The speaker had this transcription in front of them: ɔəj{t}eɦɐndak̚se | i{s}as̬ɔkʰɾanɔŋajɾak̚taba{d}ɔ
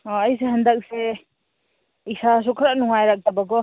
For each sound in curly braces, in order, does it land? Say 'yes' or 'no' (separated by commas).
no, yes, no